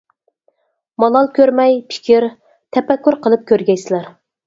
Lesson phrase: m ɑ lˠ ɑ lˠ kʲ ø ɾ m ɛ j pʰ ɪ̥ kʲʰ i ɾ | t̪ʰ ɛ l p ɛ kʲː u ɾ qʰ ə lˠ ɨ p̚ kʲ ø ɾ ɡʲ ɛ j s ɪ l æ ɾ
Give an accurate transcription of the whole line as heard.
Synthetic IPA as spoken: m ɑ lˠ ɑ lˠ kʲ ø ɾ m ɛ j pʰ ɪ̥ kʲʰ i ɾ | t̪ʰ ɛ p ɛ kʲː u ɾ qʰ ə lˠ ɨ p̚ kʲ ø ɾ ɡʲ ɛ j s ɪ l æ ɾ